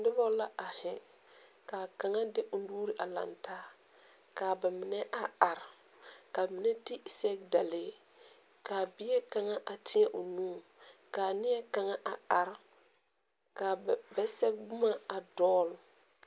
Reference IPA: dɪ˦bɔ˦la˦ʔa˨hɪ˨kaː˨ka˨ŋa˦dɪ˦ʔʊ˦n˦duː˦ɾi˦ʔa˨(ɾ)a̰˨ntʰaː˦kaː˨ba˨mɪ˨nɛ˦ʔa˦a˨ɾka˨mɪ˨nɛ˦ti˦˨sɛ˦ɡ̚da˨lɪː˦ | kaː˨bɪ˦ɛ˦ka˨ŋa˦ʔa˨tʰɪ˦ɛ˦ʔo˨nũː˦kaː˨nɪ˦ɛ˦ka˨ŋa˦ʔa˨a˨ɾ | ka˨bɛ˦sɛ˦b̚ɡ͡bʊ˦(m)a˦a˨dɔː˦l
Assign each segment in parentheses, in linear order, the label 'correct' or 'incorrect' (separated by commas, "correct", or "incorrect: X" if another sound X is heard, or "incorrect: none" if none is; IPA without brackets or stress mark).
incorrect: l, correct